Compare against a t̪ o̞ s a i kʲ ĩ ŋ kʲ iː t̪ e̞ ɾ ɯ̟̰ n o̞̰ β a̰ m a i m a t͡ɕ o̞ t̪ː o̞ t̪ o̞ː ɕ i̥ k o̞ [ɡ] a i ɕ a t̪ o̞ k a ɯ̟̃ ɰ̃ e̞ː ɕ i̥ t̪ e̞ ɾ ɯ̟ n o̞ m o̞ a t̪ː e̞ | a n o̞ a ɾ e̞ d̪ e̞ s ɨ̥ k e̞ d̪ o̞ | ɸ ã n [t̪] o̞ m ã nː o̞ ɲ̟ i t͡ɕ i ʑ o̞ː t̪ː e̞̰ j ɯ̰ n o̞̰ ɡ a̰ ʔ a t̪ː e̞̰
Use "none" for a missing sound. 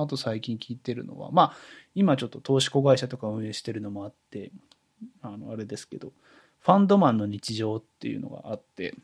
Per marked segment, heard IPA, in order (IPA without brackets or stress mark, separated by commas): ɡ, d̪